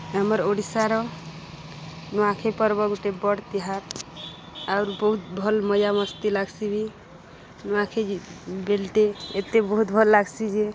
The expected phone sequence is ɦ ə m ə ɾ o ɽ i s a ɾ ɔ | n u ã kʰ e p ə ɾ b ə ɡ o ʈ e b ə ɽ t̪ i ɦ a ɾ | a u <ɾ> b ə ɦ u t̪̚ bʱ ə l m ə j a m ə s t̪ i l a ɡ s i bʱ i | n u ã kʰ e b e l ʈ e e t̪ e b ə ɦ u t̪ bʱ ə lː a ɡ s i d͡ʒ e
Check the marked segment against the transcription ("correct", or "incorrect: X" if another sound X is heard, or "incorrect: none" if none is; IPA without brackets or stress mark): correct